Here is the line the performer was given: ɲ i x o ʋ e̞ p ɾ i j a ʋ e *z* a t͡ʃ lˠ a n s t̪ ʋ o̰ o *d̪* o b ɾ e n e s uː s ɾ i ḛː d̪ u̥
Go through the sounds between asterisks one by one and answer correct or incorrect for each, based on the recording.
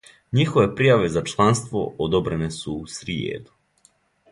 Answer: correct, correct

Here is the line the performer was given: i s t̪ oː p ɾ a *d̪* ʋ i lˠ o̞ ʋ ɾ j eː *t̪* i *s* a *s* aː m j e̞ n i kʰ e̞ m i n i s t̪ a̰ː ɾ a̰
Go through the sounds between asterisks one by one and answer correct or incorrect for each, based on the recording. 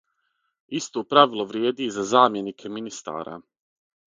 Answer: incorrect: none, incorrect: d̪, incorrect: z, incorrect: z

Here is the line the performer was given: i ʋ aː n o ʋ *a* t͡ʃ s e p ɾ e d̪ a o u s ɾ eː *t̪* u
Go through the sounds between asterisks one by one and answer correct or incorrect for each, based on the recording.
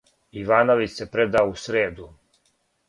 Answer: incorrect: i, incorrect: d̪

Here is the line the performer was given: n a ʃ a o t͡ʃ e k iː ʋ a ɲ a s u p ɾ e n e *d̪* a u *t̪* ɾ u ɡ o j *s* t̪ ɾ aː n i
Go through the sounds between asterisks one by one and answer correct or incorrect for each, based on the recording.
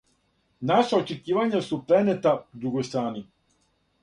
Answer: incorrect: t̪, incorrect: d̪, correct

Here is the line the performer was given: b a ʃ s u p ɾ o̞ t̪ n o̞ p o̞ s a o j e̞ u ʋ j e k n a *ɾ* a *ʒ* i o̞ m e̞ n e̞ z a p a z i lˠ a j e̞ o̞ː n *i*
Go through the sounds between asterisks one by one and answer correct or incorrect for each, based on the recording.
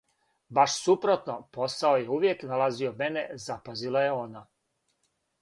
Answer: incorrect: l, incorrect: z, incorrect: a

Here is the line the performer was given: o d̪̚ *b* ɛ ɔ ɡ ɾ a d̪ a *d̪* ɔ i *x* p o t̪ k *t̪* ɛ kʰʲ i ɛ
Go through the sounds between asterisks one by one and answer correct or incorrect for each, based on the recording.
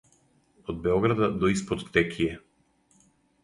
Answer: correct, correct, incorrect: s, correct

